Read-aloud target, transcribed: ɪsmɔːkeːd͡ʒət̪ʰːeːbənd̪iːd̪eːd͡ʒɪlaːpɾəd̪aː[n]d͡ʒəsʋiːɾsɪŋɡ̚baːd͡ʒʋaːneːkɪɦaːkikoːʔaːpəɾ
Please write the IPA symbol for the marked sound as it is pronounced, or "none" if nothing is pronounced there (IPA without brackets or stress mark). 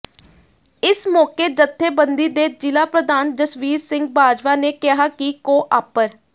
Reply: n